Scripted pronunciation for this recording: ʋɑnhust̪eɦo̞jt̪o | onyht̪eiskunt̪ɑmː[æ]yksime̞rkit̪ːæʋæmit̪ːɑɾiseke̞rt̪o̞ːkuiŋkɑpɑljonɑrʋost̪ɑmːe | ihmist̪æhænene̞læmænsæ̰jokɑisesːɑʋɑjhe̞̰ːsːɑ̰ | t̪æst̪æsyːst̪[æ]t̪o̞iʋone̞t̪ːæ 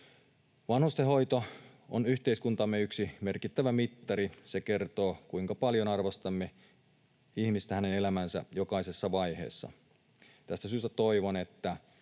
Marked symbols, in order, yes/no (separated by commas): no, yes